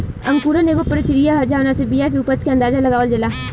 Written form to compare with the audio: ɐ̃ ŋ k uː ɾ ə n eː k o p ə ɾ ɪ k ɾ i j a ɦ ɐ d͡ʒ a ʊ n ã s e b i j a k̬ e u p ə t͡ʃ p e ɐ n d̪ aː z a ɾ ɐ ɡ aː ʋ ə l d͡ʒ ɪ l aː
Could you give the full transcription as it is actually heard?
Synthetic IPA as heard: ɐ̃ ŋ k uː ɾ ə n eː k o p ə ɾ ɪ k ɾ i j a ɦ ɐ d͡ʒ a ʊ n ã s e b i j a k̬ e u p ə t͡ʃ k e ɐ n d̪ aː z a l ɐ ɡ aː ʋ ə l d͡ʒ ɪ l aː